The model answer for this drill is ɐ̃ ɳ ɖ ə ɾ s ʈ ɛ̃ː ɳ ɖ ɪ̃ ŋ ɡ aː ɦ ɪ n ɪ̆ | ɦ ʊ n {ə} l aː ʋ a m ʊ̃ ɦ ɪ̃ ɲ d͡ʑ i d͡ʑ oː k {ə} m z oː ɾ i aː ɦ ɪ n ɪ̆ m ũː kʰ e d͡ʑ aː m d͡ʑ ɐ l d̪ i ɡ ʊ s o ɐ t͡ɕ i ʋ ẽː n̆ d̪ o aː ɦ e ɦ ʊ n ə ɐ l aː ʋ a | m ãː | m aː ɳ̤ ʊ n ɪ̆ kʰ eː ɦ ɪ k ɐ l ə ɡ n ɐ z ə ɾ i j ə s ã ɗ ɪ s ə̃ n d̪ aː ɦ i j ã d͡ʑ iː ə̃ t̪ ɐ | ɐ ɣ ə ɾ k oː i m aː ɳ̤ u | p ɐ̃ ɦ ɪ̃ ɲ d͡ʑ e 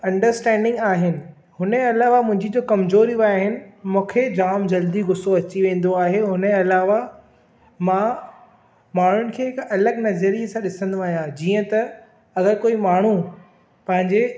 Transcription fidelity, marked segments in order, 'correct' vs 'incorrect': incorrect, incorrect

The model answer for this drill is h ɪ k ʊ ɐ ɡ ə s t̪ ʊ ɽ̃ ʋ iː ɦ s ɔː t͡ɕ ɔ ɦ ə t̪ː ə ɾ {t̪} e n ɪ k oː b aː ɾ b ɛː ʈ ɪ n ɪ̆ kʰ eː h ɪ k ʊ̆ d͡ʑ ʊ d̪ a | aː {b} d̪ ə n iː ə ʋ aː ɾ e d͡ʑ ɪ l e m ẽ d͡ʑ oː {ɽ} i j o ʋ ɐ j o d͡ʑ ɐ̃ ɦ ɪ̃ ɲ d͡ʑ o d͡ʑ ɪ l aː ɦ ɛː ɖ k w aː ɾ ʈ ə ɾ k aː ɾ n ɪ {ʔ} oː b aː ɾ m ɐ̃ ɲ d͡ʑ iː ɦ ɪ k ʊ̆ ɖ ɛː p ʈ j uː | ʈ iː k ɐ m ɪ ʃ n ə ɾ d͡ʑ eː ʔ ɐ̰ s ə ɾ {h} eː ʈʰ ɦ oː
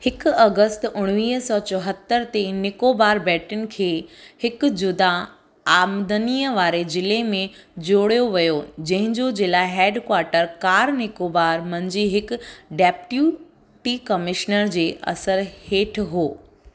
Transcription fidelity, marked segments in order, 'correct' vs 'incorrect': correct, incorrect, correct, incorrect, correct

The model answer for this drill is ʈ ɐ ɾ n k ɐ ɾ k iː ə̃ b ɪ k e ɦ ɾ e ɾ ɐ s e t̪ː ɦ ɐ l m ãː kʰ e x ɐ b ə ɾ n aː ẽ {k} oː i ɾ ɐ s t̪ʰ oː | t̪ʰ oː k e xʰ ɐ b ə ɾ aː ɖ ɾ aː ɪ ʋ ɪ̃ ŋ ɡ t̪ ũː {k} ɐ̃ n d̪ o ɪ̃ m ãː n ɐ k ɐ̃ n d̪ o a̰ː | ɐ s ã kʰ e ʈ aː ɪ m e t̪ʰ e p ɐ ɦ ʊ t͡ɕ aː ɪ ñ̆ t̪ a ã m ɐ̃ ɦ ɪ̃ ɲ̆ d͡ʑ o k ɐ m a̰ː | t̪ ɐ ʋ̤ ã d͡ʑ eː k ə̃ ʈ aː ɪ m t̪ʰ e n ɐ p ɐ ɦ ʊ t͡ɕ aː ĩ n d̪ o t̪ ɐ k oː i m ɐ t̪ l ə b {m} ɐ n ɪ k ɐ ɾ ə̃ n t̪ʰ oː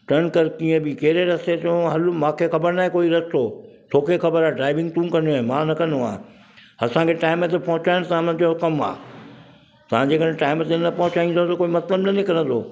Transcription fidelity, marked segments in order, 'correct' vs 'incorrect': correct, correct, incorrect

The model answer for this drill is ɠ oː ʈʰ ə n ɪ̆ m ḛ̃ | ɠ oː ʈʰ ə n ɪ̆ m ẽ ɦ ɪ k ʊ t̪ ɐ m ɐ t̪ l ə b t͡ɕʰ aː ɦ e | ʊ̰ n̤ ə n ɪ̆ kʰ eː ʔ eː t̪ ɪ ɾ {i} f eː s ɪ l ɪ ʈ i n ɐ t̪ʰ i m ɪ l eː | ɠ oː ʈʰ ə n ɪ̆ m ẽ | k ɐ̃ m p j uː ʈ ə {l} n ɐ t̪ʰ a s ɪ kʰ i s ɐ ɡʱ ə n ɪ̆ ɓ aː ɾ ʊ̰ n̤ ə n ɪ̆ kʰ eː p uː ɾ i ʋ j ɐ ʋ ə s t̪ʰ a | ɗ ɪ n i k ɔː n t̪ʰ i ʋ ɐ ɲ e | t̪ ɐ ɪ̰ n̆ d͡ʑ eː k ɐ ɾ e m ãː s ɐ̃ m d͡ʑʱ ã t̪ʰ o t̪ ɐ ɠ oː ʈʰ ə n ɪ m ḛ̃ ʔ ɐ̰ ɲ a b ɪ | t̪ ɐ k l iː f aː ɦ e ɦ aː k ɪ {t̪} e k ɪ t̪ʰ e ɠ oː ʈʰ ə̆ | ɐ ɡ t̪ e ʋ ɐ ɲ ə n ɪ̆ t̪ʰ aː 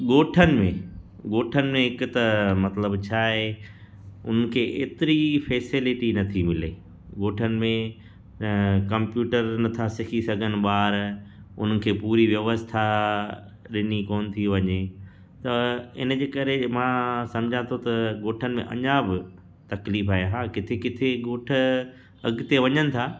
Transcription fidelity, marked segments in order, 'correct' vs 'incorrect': correct, incorrect, incorrect

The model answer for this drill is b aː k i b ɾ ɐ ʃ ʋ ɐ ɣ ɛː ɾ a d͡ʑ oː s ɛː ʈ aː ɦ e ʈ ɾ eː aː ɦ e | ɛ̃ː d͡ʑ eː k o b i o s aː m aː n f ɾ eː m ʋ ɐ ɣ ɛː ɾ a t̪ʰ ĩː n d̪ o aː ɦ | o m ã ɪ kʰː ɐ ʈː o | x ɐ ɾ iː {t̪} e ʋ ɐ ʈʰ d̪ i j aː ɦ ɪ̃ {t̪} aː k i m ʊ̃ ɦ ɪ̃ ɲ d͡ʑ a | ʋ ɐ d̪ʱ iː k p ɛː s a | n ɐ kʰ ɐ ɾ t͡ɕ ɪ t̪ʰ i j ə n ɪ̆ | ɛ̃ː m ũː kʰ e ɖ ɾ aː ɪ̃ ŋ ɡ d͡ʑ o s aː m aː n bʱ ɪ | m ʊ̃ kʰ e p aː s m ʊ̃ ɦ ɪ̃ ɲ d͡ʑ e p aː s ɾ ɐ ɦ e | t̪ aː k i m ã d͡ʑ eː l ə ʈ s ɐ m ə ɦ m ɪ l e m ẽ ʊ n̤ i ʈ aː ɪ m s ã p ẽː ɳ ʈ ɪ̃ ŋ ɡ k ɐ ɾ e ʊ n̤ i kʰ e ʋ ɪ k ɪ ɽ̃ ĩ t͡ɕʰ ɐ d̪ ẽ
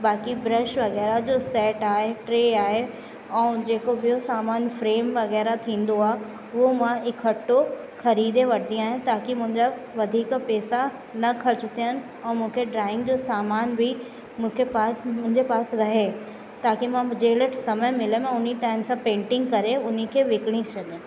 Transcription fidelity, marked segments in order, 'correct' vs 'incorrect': incorrect, correct

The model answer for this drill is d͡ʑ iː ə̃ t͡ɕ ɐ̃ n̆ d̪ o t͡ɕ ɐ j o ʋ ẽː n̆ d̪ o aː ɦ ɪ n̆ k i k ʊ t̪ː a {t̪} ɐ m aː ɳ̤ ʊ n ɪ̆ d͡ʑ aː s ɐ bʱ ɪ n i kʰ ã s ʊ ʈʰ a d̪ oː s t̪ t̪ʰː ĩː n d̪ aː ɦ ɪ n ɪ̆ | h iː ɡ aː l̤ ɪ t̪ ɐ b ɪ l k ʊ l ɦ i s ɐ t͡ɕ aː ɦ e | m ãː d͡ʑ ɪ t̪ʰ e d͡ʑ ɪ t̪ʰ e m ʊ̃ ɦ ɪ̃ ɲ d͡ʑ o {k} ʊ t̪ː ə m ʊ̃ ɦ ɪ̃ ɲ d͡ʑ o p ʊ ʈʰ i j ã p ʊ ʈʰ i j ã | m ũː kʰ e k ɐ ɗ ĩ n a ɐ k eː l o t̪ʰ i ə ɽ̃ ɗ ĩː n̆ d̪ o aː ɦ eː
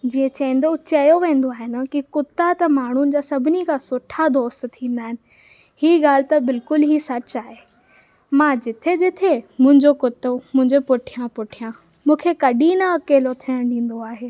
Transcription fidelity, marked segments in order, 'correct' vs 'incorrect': correct, correct

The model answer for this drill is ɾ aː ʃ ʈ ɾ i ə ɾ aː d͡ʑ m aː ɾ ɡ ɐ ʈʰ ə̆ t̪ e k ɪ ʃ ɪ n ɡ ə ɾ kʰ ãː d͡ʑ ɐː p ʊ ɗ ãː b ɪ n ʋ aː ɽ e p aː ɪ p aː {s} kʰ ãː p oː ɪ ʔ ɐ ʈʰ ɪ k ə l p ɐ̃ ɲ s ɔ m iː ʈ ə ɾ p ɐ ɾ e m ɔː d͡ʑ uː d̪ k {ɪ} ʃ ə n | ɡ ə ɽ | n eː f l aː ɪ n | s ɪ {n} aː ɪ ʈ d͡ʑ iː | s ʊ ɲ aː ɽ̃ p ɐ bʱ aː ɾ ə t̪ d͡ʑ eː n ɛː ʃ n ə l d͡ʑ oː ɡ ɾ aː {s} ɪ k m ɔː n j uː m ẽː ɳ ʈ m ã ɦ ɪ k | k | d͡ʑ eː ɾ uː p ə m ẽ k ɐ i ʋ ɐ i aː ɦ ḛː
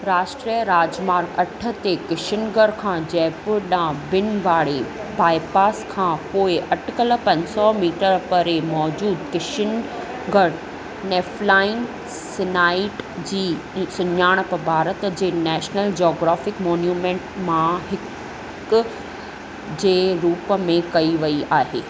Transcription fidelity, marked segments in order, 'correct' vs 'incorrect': correct, correct, correct, incorrect

